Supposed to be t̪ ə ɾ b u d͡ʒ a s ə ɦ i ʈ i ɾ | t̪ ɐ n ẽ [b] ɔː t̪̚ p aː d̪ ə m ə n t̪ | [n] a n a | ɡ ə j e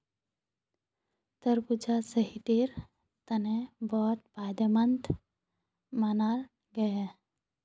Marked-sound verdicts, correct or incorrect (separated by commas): correct, incorrect